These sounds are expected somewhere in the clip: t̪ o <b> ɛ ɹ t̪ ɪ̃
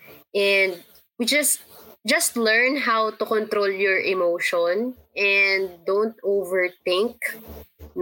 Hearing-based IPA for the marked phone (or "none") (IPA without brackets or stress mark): v